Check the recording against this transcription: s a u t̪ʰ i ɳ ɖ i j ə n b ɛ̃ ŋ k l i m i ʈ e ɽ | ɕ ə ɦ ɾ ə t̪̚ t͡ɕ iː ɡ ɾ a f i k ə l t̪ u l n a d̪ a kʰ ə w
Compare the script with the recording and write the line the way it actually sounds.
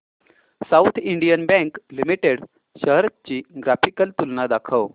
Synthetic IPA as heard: s a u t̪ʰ i ɳ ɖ i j ə n b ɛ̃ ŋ k l i m i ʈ e ɽ | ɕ ə ɦ ɾ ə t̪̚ t͡ɕ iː ɡ ɾ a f i k ə l t̪ u l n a d̪ a kʰ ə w

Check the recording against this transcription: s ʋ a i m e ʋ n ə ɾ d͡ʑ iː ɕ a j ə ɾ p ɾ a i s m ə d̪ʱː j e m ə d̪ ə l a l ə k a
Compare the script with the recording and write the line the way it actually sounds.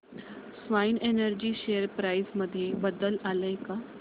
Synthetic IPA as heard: s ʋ a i n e n ə ɾ d͡ʑ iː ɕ e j ə ɾ p ɾ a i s m ə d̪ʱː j e b ə d̪ ə l a l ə k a

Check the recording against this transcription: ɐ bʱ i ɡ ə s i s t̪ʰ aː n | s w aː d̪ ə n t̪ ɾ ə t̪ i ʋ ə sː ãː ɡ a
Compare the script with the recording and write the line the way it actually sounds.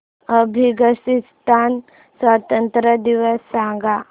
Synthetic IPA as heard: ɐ bʱ i ɡ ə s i s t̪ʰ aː n | s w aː t̪ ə n t̪ ɾ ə d̪ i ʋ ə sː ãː ɡ a

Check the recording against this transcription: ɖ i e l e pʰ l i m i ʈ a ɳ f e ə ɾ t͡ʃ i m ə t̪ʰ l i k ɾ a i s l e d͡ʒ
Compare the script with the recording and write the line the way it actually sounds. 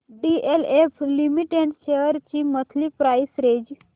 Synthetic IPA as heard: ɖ i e l e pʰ l i m i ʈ e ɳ ʃ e ə ɾ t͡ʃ i m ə t̪ʰ l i p ɾ a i s ɾ e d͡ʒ

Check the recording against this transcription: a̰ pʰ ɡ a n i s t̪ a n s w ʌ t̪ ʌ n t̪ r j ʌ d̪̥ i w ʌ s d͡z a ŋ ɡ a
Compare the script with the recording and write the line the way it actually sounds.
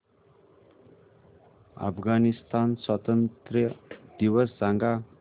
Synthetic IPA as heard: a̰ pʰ ɡ a n i s t̪ a n s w ʌ t̪ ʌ n t̪ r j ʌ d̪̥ i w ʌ s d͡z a ŋ ɡ a

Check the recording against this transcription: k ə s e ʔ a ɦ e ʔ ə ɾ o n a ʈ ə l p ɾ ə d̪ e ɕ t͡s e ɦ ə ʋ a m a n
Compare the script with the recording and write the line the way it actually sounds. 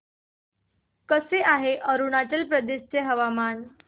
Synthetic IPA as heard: k ə s e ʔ a ɦ e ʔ ə ɾ u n a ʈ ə l p ɾ ə d̪ e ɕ t͡s e ɦ ə ʋ a m a n

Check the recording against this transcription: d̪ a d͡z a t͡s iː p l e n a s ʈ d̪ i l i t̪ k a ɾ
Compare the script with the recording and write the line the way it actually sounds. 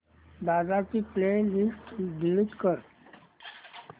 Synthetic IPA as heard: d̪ a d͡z a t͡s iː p l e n i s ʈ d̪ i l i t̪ k ə ɾ

